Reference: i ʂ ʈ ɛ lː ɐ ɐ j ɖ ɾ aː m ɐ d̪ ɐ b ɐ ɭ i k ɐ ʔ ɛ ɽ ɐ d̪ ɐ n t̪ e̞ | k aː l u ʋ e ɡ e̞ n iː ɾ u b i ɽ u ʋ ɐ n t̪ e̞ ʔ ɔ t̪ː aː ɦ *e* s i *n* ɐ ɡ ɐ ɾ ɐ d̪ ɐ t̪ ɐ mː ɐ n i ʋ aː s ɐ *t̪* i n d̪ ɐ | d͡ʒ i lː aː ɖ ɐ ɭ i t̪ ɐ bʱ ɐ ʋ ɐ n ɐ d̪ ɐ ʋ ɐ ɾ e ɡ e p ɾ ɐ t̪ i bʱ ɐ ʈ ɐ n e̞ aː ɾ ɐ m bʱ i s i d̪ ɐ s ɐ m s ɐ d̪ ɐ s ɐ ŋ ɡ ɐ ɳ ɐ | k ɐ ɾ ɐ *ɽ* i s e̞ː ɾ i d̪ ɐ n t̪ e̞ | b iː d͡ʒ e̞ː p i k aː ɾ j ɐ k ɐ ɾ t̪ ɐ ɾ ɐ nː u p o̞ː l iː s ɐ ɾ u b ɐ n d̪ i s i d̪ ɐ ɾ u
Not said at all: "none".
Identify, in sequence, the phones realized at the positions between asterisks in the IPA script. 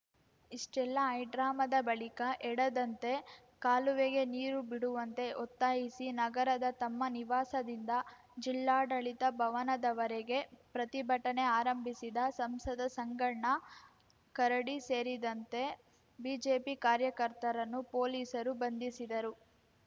i, n, d̪, ɽ

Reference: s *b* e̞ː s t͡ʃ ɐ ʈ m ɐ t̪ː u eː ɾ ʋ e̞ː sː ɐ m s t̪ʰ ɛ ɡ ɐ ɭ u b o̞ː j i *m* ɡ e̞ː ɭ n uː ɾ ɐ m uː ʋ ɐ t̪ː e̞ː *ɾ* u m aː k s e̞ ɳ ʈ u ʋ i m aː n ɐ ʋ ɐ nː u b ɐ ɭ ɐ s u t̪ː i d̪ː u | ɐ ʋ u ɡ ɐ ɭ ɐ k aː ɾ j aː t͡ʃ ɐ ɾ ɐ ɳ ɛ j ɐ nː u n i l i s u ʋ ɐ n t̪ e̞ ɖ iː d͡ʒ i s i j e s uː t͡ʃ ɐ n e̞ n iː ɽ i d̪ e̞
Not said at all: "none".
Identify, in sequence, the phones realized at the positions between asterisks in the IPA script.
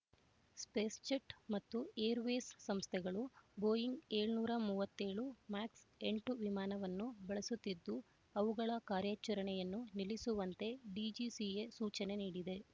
p, ŋ, ɭ

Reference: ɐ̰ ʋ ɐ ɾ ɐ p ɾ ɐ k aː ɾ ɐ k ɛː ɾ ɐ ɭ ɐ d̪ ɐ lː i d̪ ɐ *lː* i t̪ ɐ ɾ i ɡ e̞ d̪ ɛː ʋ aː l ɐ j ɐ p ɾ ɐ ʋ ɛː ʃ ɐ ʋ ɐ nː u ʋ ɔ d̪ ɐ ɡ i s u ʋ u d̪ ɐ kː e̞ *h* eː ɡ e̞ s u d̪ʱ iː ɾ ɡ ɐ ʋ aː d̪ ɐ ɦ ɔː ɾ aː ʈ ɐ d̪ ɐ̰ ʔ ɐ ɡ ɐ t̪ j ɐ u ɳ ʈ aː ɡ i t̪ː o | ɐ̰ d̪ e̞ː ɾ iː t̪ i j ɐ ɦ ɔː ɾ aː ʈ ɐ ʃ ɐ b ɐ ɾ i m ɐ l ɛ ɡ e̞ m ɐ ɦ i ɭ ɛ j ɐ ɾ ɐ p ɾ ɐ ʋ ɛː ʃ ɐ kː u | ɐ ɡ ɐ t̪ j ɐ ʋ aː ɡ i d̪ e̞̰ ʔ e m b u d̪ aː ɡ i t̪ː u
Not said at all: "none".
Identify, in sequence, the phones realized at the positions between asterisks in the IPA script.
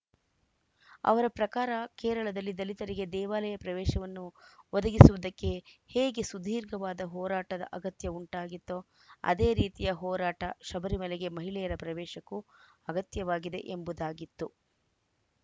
l, h

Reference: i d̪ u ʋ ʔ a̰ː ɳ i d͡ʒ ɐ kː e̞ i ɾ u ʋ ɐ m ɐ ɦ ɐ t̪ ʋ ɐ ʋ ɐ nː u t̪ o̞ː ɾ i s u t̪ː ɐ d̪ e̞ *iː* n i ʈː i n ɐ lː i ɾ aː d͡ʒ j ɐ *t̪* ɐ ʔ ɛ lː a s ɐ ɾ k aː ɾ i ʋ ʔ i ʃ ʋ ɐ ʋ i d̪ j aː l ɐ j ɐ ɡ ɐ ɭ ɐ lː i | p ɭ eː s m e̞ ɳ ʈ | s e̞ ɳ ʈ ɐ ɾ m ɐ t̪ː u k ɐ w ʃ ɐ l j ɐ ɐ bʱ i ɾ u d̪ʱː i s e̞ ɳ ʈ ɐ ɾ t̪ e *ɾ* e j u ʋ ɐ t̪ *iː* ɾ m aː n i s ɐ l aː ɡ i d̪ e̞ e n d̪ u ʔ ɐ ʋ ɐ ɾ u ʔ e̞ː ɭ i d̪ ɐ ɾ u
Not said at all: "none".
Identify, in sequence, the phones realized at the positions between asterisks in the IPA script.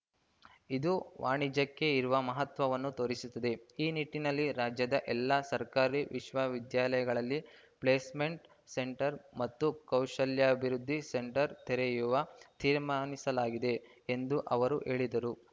iː, d̪, ɾ, iː

